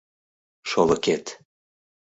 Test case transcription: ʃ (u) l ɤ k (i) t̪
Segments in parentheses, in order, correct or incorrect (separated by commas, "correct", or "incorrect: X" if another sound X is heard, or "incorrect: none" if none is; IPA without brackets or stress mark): incorrect: o, incorrect: e